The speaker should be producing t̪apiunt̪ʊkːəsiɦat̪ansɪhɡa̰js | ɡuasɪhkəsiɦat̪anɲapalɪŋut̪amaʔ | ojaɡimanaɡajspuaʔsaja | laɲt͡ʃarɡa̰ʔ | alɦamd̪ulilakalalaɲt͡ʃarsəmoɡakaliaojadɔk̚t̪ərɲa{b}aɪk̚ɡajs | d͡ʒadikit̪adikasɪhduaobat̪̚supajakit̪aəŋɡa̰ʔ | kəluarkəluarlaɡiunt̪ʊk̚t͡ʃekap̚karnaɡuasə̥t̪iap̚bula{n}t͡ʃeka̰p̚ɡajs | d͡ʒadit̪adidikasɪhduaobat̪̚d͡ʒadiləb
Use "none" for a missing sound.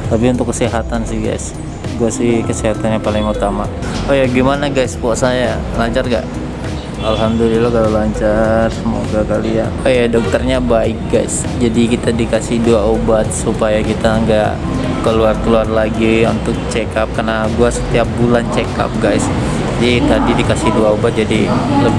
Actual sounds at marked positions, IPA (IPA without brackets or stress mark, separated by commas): b, n